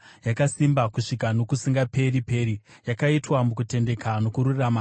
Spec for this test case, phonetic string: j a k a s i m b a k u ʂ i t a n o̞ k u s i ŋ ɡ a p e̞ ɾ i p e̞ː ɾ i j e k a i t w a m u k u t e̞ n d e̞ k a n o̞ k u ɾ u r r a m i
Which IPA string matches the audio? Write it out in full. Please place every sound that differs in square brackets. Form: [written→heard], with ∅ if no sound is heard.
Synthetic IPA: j a k a s i m b a k u ʂ i [t→k] a n o̞ k u s i ŋ ɡ a p e̞ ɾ i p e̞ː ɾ i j [e→a] k a i t w a m u k u t e̞ n d e̞ k a n o̞ k u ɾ u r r a m [i→a]